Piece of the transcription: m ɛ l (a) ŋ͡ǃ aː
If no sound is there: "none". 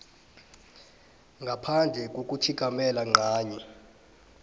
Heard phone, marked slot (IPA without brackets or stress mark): a